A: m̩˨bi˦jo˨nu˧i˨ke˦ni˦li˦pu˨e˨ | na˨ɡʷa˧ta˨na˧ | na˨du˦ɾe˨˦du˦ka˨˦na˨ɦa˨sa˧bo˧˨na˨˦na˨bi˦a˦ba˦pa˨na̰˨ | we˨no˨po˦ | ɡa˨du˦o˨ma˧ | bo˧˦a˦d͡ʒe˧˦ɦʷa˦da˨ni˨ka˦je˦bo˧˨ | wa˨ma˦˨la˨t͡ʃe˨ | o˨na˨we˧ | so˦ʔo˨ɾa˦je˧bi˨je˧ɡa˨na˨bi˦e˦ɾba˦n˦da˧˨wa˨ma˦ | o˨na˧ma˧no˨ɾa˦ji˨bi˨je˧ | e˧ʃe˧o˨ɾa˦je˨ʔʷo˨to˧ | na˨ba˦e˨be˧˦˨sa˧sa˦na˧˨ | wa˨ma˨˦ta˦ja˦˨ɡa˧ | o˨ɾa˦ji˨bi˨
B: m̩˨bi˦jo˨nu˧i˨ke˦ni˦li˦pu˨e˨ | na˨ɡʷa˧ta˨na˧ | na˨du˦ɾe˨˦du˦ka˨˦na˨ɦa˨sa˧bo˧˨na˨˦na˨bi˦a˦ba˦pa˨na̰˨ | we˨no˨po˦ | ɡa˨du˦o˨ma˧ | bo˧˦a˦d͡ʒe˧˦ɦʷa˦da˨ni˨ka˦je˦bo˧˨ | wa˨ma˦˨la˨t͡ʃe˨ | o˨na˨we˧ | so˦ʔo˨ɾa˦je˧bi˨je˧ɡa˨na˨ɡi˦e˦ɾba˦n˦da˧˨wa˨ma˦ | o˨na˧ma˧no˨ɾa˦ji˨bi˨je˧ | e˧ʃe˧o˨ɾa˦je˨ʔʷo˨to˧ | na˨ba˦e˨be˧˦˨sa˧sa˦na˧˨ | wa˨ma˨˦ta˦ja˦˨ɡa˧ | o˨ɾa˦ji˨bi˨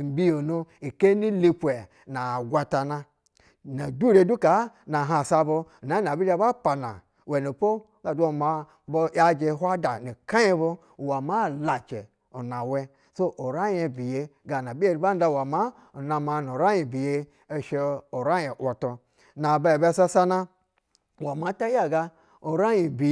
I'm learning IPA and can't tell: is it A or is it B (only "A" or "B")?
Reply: A